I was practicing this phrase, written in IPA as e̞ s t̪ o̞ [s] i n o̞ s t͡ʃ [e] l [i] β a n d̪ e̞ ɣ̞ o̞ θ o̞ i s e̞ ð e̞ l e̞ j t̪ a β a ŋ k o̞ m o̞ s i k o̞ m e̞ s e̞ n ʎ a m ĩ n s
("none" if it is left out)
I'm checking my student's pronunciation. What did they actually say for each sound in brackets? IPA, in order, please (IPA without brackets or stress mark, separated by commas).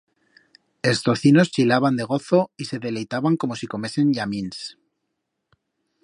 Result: θ, i, a